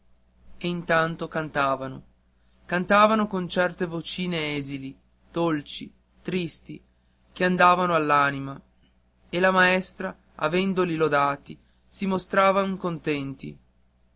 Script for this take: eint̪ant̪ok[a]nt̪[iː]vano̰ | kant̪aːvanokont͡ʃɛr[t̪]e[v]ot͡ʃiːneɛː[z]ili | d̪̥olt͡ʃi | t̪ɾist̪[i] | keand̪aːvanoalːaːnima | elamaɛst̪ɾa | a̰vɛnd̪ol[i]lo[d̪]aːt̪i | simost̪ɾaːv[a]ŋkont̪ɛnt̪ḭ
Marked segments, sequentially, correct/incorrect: correct, incorrect, correct, correct, correct, correct, correct, correct, correct

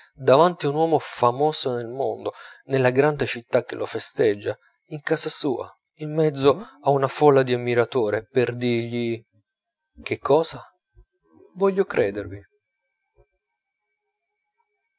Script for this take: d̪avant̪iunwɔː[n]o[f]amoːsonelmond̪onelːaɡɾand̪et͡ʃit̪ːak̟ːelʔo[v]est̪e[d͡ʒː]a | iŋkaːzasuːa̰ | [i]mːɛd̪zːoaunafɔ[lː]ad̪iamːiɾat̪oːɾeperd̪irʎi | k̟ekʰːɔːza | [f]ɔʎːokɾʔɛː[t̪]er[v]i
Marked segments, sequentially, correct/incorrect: incorrect, correct, incorrect, correct, correct, correct, incorrect, incorrect, correct

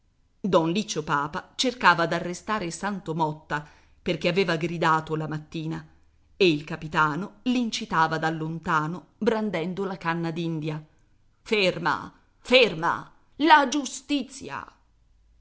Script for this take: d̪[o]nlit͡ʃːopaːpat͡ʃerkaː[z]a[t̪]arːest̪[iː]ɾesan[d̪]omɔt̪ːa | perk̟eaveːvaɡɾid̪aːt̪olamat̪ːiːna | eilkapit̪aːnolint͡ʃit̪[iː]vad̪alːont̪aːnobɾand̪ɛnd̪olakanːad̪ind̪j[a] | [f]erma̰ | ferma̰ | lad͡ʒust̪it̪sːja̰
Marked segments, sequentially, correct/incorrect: incorrect, incorrect, incorrect, incorrect, incorrect, incorrect, correct, correct

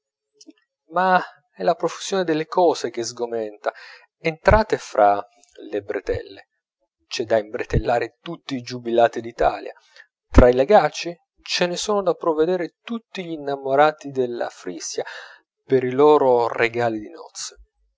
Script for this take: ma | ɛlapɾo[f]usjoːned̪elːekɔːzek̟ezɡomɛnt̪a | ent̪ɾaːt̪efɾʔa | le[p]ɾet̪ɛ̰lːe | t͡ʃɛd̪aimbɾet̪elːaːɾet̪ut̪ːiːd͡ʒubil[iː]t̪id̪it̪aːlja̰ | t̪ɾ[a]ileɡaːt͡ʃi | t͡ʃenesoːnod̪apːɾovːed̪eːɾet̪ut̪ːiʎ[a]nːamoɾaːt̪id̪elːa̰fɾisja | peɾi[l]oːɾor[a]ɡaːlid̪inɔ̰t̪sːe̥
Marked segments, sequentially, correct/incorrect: correct, incorrect, incorrect, correct, incorrect, correct, incorrect

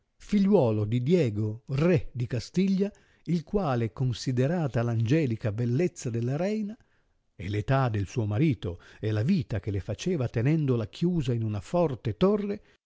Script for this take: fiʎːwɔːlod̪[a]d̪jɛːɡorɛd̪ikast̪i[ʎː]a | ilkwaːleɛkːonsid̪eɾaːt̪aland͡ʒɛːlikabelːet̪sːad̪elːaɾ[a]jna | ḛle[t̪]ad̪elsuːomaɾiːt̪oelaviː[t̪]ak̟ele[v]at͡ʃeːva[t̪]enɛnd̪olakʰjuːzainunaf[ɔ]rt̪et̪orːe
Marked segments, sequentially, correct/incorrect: incorrect, correct, incorrect, correct, correct, incorrect, correct, correct

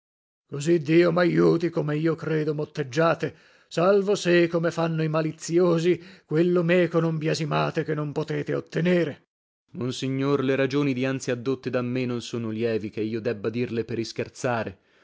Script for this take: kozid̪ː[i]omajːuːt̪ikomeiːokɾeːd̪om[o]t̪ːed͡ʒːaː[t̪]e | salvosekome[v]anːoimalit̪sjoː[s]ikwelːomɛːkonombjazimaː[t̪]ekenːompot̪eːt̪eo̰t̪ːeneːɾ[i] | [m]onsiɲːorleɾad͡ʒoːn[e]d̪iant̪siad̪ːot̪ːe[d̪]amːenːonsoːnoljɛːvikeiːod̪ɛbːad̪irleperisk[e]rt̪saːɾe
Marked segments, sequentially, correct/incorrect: incorrect, correct, correct, incorrect, incorrect, correct, incorrect, correct, incorrect, correct, correct

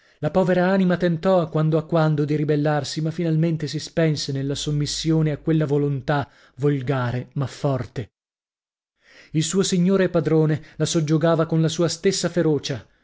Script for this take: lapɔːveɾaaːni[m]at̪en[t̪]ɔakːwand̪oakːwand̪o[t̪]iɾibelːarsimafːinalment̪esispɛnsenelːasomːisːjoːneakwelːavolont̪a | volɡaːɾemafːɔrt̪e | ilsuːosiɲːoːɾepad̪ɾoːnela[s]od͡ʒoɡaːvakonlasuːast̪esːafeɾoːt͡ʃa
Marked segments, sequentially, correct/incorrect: correct, correct, incorrect, correct

